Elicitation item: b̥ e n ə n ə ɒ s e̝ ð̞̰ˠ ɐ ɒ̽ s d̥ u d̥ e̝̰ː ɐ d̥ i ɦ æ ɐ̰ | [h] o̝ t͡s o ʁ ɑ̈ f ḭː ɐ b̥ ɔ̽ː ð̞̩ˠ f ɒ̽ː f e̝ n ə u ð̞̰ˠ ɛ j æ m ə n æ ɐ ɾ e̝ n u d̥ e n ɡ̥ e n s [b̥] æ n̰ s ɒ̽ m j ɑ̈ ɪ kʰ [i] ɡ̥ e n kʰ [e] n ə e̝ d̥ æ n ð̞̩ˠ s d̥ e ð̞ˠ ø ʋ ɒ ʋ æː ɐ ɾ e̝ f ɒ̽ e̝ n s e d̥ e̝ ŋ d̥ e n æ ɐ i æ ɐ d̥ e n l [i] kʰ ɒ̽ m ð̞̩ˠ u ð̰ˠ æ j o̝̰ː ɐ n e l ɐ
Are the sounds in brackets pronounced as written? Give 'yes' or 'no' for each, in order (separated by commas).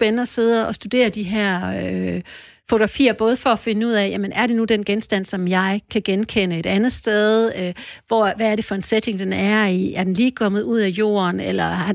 no, no, no, yes, no